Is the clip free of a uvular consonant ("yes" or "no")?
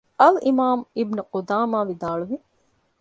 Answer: no